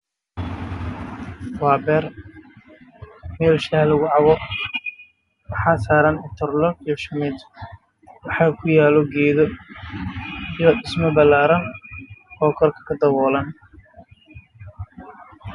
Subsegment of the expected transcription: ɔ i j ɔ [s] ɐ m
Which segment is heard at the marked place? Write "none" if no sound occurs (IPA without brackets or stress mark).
ʃ